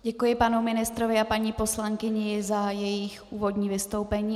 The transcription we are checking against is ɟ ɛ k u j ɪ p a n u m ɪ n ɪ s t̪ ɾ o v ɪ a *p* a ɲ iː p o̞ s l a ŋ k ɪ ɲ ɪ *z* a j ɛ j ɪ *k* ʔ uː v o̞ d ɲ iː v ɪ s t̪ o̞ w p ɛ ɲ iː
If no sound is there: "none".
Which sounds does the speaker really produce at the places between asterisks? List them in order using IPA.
p, z, x

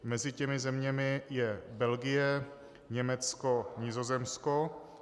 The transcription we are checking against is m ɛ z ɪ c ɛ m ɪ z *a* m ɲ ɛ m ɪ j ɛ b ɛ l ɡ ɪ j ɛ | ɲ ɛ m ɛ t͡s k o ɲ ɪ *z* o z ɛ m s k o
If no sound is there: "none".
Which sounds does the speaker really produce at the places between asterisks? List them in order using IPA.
ɛ, z

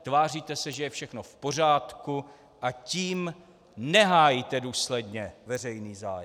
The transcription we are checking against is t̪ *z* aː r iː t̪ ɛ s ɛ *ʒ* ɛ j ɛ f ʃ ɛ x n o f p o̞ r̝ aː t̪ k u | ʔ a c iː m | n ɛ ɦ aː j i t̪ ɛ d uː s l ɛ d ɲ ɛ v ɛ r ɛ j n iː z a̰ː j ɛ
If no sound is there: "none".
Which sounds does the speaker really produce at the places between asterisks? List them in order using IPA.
v, ʒ

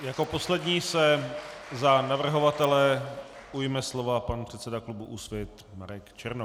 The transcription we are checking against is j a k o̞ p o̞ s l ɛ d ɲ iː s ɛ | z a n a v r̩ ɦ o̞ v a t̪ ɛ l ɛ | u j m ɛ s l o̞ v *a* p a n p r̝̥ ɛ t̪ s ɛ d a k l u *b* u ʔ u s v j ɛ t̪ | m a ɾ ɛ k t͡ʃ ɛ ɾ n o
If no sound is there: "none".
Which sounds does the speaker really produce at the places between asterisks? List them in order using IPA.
a, b

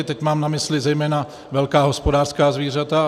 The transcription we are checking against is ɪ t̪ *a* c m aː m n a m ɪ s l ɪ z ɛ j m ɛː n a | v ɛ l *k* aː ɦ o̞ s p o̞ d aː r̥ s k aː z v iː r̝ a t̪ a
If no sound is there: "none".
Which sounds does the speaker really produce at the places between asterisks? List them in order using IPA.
ɛ, k

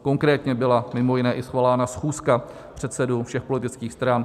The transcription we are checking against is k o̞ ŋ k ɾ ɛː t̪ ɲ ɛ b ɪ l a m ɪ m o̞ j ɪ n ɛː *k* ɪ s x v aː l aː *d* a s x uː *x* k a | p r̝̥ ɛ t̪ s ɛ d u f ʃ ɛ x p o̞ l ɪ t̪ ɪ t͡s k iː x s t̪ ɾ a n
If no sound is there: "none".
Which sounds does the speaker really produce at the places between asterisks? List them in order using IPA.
ʔ, n, s

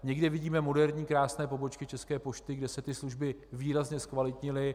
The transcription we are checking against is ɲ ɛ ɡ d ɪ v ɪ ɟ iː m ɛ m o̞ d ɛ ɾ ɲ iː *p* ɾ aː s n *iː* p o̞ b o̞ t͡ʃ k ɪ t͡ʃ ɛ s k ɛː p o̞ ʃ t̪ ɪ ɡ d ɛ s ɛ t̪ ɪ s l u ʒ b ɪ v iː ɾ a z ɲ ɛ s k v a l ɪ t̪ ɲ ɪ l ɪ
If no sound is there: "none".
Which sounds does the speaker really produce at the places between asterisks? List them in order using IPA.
k, ɛː

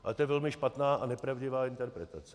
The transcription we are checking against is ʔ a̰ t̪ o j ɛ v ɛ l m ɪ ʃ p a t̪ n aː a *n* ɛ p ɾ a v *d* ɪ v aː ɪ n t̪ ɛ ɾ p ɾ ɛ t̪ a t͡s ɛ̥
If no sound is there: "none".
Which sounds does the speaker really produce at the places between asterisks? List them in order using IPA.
n, ɟ

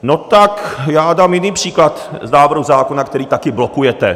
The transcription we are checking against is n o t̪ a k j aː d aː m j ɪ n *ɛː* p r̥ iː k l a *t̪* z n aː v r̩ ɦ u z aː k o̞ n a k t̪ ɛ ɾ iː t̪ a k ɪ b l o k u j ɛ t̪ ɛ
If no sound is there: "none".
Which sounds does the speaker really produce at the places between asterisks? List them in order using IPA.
iː, t̪

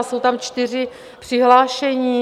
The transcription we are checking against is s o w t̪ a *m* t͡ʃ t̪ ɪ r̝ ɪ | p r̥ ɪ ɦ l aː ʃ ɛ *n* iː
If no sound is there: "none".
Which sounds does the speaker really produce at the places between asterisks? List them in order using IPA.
m, ɲ

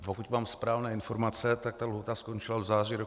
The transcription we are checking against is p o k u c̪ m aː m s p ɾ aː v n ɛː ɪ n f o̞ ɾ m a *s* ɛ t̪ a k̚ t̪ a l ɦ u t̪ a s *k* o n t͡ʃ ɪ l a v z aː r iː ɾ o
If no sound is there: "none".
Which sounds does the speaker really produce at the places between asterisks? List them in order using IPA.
t͡s, k

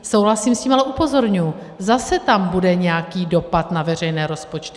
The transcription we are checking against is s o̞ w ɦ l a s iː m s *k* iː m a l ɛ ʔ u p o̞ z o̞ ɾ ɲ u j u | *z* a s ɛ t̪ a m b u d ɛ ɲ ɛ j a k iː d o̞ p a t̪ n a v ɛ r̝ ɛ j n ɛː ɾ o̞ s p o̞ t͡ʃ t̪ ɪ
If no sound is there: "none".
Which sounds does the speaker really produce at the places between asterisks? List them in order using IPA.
c, z

